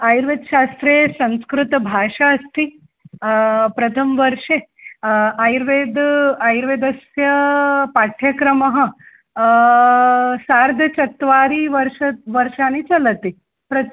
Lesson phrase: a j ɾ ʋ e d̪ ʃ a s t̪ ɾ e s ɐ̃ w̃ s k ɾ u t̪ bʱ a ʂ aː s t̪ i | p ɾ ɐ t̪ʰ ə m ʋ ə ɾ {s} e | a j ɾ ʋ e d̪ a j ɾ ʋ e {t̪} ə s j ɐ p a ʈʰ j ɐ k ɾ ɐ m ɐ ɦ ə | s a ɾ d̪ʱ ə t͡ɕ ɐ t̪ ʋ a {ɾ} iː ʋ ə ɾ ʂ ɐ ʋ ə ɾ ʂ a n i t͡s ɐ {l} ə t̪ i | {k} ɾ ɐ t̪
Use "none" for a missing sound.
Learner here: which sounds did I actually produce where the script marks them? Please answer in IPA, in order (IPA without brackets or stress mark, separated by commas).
ʂ, d̪, ɾ, l, p